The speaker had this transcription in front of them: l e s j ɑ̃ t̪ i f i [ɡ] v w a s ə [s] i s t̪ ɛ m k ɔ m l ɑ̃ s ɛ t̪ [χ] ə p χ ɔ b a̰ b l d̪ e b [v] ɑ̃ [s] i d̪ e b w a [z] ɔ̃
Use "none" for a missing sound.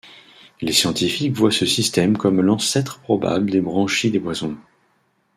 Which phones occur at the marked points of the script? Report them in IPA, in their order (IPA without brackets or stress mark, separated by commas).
k, s, χ, ʁ, ʃ, z